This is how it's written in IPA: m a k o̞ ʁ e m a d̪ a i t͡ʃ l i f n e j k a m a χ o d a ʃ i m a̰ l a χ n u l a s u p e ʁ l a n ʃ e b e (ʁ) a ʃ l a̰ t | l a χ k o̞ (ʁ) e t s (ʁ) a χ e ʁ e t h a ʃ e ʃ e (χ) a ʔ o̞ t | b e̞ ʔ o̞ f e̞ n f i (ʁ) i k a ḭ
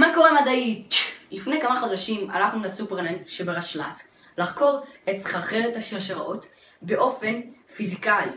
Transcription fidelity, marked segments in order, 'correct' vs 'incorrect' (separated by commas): correct, correct, incorrect, incorrect, incorrect